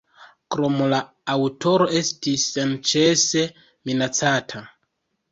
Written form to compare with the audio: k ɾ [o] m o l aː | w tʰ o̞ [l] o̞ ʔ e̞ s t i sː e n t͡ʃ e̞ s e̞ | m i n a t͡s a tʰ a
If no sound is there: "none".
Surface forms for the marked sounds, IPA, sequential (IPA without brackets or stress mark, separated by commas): o, ɾ